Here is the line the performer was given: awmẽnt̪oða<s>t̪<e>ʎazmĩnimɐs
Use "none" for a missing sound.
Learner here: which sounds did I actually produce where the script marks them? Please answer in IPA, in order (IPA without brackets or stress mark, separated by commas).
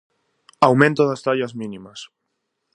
s, a